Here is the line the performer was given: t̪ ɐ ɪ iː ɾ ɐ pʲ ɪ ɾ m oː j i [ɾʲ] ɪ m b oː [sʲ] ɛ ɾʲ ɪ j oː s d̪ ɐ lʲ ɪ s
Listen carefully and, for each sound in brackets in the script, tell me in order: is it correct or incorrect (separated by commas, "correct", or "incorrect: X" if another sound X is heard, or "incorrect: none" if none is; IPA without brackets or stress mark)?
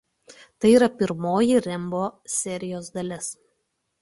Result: correct, correct